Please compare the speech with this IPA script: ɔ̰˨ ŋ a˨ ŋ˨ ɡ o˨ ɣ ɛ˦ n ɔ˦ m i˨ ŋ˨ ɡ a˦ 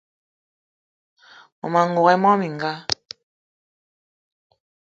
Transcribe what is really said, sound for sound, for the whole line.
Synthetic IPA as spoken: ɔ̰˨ m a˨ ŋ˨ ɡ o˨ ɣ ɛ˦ m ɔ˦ m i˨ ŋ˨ ɡ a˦